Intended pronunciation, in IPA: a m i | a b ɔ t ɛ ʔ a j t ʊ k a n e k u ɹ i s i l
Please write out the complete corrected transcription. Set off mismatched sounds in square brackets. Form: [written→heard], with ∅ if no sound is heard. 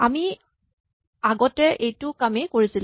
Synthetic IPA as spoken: a m i | a [b→ɡ] ɔ t ɛ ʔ [a→e] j t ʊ k a [n→m] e k [u→o] ɹ i s i l